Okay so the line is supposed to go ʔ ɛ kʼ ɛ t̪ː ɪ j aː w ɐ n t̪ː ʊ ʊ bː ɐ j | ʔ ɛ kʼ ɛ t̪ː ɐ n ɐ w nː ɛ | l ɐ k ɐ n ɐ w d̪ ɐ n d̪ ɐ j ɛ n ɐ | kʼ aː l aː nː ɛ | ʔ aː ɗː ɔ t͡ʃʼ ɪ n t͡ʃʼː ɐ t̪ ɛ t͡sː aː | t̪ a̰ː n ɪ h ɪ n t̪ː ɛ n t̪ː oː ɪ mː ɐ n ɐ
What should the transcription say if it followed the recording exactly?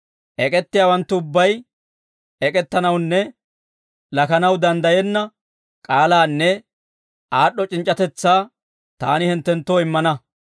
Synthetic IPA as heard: ʔ ɛ kʼ ɛ t̪ː ɪ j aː w ɐ n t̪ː ʊ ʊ bː ɐ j | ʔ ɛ kʼ ɛ t̪ː ɐ n ɐ w nː ɛ | l ɐ k ɐ n ɐ w d̪ ɐ n d̪ ɐ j ɛ nː ɐ | kʼ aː l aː nː ɛ | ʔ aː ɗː ɔ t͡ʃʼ ɪ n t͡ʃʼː ɐ t̪ ɛ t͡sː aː | t̪ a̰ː n ɪ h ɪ n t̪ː ɛ n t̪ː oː ɪ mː ɐ n ɐ